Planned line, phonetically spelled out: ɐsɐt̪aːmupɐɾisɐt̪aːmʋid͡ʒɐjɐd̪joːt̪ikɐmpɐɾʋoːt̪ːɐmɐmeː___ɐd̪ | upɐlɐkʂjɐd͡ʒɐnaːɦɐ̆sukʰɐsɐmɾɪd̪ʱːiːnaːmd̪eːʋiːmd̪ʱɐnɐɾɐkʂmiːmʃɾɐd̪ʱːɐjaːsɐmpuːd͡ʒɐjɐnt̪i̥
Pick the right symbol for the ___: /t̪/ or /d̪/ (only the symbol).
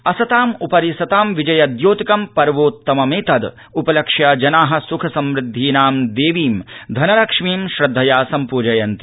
t̪